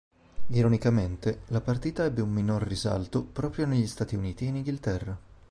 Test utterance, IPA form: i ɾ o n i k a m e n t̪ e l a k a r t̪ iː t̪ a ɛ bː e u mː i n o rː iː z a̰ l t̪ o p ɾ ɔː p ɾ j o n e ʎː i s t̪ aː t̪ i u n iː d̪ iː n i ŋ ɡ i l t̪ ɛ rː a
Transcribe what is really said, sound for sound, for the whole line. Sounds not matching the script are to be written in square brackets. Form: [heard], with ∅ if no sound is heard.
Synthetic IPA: i ɾ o n i k a m e n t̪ e l a [p] a r t̪ iː t̪ a ɛ bː e u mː i n o rː [i] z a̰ l t̪ o p ɾ ɔː p ɾ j o n e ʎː i s t̪ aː t̪ i u n iː [t̪] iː n i ŋ ɡ i l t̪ ɛ rː a